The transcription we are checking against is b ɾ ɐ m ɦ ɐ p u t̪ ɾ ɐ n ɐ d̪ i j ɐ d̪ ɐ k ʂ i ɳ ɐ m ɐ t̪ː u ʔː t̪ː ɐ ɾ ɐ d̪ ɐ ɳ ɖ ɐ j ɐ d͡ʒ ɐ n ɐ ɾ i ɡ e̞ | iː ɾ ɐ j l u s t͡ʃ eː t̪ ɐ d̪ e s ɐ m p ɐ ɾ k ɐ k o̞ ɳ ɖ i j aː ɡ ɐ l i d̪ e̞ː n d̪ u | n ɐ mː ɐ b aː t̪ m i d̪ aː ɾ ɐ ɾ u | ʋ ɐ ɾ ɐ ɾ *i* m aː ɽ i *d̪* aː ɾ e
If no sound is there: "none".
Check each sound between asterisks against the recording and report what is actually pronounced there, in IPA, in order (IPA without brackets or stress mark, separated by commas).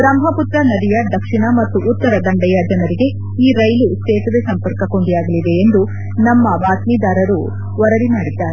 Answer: i, d̪ː